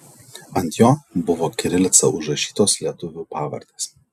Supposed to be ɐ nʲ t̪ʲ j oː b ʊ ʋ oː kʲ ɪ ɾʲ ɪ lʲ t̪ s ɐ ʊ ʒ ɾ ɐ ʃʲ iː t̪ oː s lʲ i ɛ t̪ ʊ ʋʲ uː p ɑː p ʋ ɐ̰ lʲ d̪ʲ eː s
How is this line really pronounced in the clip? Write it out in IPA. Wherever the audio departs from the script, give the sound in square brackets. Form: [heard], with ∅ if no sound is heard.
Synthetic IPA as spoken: ɐ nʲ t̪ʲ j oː b ʊ ʋ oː kʲ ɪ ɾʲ ɪ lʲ t̪ s ɐ ʊ ʒ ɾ ɐ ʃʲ iː t̪ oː s lʲ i ɛ t̪ ʊ ʋʲ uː p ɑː [∅] ʋ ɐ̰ [ɾʲ] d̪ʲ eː s